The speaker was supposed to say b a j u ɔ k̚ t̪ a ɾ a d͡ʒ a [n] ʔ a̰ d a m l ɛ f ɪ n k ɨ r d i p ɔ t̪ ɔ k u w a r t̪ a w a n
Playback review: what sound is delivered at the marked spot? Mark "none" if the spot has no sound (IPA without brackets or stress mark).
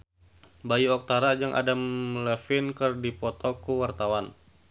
ŋ